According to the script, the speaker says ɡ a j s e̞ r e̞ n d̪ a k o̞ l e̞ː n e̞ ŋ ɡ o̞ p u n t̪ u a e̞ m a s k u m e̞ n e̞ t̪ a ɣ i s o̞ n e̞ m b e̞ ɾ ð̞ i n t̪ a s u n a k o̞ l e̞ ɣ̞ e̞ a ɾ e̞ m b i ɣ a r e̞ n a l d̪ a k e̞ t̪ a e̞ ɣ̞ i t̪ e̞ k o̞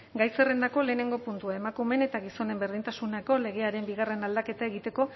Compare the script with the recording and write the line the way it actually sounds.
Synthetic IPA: ɡ a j s e̞ r e̞ n d̪ a k o̞ l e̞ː n e̞ ŋ ɡ o̞ p u n t̪ u a e̞ m a k u m e̞ n e̞ t̪ a ɣ i s o̞ n e̞ m b e̞ ɾ ð̞ i n t̪ a s u n a k o̞ l e̞ ɣ̞ e̞ a ɾ e̞ m b i ɣ a r e̞ n a l d̪ a k e̞ t̪ a e̞ ɣ̞ i t̪ e̞ k o̞